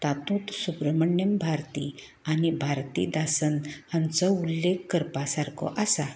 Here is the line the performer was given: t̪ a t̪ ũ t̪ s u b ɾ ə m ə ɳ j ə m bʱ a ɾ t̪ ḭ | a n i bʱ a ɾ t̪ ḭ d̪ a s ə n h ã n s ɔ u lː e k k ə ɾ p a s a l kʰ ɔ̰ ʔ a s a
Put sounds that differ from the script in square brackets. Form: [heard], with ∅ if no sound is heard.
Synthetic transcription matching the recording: t̪ a t̪ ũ t̪ s u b ɾ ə m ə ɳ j ə m bʱ a ɾ t̪ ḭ | a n i bʱ a ɾ t̪ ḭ d̪ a s ə n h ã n [t͡s] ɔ u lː e k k ə ɾ p a s a [ɾ] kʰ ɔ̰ ʔ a s a